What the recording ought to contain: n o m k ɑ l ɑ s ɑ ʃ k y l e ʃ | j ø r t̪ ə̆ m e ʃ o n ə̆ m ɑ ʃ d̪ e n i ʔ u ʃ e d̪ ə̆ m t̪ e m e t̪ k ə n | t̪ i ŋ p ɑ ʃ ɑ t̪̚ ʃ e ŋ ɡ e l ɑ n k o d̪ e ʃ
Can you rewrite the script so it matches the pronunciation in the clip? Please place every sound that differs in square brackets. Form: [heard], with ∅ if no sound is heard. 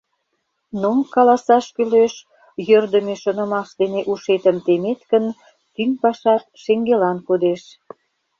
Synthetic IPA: n o m k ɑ l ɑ s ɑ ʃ k y l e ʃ | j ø r [d̪] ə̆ m e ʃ o n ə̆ m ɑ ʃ d̪ e n [e] ʔ u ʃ e [t̪] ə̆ m t̪ e m e t̪ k ə n | t̪ [y] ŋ p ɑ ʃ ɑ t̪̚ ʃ e ŋ ɡ e l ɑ n k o d̪ e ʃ